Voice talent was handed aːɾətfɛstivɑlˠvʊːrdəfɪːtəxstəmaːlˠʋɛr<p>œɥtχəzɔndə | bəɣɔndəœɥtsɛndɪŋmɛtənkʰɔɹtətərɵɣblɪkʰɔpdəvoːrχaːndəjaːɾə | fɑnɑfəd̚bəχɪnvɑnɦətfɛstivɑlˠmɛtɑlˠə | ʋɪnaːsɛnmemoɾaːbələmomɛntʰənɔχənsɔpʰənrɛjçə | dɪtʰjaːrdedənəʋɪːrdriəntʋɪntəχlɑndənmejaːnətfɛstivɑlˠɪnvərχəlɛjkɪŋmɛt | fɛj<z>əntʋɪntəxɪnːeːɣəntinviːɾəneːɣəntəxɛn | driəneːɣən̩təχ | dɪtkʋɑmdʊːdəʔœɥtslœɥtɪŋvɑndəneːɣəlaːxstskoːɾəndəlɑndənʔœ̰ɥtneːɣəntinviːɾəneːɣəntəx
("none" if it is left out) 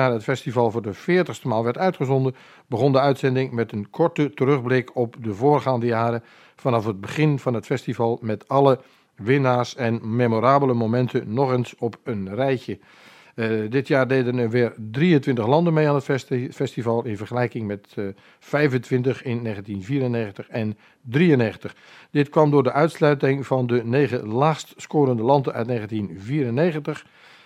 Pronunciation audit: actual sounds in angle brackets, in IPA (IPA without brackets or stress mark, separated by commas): t, v